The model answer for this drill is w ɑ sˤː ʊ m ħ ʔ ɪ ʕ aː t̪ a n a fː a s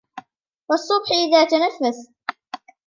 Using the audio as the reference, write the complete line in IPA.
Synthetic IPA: w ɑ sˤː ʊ b ħ ʔ ɪ ð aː t̪ a n a fː a s